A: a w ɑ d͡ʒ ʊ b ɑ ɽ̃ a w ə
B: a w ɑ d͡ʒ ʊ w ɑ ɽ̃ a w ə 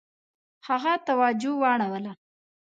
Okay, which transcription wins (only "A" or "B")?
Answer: B